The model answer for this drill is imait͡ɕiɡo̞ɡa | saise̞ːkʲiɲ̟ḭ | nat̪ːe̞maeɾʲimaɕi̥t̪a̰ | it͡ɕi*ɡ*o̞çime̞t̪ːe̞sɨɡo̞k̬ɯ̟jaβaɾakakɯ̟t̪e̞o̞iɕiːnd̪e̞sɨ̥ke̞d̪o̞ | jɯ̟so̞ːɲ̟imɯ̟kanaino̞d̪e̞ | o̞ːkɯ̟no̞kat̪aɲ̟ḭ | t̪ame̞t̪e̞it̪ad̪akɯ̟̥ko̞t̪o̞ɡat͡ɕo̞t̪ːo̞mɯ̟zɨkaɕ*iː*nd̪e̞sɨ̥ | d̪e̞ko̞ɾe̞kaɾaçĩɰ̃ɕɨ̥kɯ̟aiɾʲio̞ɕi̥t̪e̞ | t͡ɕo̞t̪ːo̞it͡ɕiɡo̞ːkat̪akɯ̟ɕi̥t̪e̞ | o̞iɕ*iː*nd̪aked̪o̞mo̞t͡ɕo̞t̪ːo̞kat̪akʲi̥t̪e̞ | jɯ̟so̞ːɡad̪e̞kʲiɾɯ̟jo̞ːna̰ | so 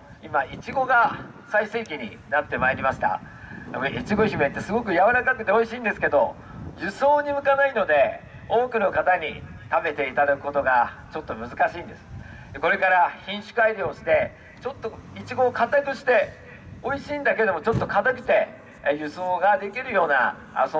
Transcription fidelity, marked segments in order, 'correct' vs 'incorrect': correct, correct, correct

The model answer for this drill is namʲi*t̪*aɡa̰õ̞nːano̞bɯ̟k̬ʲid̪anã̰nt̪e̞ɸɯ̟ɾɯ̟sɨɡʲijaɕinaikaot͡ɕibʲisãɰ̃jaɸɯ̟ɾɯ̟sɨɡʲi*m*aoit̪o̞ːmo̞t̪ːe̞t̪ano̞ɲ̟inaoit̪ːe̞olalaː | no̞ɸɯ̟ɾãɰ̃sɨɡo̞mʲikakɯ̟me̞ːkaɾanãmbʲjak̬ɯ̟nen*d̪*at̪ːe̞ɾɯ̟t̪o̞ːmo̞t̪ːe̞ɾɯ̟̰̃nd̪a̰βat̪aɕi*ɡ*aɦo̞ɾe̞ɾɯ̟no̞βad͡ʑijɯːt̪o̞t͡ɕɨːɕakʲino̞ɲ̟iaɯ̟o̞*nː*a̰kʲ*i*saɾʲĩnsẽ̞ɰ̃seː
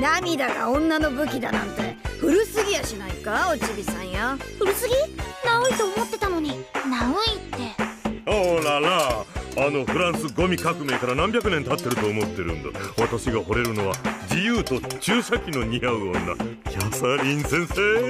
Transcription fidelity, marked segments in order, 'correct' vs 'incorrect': incorrect, incorrect, incorrect, correct, correct, incorrect

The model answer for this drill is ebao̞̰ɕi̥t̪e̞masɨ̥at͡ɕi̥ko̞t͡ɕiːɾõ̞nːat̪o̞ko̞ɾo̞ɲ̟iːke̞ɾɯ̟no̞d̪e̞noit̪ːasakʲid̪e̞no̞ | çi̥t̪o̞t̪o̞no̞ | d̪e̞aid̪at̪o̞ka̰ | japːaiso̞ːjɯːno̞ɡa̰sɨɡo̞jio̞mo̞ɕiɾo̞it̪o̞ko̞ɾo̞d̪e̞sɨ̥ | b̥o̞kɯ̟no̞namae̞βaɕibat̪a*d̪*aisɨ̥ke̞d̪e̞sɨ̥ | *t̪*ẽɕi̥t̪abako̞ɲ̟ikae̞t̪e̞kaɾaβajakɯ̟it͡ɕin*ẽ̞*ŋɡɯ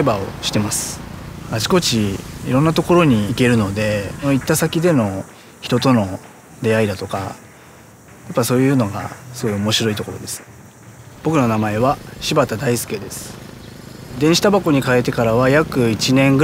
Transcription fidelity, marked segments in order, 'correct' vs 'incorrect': correct, incorrect, correct

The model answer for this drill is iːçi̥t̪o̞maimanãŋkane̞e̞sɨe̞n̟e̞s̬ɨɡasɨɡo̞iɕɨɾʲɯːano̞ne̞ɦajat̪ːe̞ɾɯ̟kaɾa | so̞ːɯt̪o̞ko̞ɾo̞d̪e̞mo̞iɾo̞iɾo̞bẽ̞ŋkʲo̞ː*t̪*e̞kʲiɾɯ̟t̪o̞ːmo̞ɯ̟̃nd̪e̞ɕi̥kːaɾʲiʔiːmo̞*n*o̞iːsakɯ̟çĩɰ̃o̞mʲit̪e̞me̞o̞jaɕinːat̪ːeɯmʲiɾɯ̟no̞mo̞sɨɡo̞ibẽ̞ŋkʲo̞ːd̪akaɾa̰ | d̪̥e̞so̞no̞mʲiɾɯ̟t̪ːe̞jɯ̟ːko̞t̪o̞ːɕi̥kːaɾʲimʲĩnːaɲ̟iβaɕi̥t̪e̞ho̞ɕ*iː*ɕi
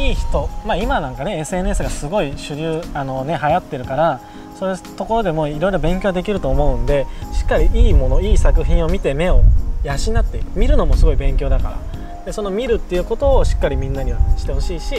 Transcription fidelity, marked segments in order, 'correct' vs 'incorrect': incorrect, correct, correct

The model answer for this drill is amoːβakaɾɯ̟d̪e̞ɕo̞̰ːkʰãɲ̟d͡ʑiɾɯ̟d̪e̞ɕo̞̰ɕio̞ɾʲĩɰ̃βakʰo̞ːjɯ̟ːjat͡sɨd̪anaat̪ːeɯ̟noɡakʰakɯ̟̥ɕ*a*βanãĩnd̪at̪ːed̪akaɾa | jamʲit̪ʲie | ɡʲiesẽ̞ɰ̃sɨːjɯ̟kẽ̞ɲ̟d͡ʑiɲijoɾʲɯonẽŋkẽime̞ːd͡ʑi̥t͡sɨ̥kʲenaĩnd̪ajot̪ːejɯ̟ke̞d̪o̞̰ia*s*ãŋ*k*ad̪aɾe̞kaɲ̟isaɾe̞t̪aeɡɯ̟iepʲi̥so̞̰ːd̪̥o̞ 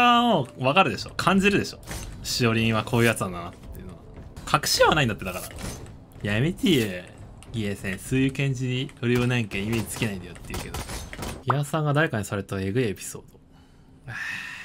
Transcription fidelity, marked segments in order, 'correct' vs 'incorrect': incorrect, correct, incorrect

